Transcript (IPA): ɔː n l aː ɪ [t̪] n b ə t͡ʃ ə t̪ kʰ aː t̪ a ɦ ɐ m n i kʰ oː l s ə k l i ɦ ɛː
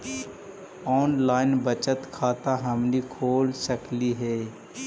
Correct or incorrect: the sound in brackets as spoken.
incorrect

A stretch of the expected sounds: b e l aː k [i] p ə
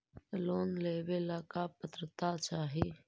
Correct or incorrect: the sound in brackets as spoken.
incorrect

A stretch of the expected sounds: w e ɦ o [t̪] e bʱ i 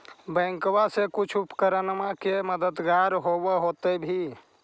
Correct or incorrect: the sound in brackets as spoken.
correct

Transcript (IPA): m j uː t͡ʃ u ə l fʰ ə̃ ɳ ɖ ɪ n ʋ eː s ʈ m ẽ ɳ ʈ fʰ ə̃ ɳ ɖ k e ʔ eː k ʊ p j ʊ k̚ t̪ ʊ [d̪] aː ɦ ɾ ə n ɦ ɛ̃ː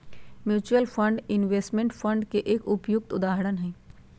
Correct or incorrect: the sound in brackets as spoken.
correct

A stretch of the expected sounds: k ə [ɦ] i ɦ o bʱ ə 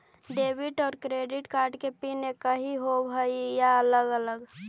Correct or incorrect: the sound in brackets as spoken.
correct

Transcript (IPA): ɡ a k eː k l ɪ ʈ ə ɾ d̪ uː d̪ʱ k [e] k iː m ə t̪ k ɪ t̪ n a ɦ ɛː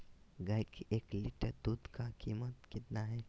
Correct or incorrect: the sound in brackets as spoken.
incorrect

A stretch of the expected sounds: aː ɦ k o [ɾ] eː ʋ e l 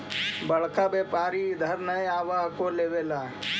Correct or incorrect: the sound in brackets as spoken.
incorrect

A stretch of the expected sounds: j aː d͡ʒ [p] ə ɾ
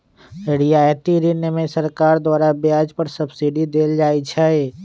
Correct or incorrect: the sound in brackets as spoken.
correct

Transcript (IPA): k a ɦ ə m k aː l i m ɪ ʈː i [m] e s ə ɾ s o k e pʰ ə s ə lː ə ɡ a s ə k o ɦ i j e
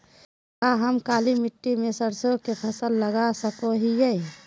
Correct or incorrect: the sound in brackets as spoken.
correct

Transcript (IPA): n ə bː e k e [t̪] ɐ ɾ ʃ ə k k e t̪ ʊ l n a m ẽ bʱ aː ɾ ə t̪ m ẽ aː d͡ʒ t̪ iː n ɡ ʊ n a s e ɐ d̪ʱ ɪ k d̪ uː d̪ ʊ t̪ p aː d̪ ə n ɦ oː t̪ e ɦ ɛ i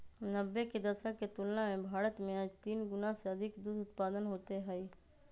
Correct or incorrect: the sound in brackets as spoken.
incorrect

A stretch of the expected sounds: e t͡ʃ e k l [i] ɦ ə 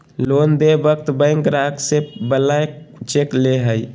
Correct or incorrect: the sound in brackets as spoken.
incorrect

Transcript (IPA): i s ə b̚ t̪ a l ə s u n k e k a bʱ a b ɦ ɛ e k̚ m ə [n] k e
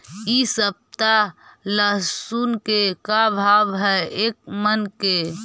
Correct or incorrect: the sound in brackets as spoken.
correct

